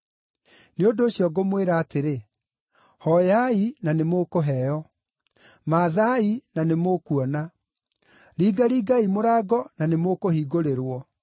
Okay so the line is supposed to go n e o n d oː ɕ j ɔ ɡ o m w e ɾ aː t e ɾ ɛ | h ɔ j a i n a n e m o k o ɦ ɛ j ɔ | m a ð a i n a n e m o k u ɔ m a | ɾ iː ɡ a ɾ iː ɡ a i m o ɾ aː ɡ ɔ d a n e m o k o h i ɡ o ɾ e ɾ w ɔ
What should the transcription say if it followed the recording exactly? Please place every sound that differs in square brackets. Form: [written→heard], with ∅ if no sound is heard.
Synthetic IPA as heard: n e o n d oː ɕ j ɔ ɡ o m w e ɾ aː t e ɾ [ɛ→e] | h ɔ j a i n a n e m o k o ɦ ɛ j ɔ | m a ð a i n a n e m o k u ɔ [m→n] a | ɾ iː ɡ a ɾ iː ɡ a i m o ɾ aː ɡ ɔ [d→n] a n e m o k o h i ɡ o ɾ e ɾ w ɔ